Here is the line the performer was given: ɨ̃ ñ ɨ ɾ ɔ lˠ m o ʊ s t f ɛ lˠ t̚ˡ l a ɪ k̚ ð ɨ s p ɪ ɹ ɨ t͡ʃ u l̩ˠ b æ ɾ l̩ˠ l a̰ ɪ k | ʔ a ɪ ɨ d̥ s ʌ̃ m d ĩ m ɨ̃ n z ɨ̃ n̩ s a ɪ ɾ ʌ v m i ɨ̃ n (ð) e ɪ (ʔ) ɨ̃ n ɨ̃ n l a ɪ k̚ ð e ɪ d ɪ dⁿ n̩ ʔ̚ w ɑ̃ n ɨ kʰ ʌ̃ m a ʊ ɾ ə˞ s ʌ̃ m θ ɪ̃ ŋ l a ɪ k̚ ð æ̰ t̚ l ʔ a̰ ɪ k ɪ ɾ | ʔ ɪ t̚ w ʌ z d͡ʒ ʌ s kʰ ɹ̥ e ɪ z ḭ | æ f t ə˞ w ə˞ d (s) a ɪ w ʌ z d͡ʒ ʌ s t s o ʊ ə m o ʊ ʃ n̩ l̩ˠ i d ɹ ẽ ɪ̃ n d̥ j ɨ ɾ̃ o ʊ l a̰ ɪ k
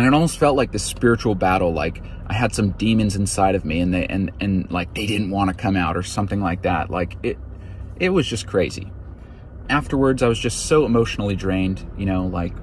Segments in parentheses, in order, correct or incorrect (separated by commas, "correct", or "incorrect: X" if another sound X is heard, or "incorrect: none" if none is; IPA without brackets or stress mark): correct, correct, incorrect: z